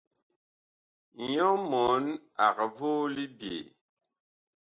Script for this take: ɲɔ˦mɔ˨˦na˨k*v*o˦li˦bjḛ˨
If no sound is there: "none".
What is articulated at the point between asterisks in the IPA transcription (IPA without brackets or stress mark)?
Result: v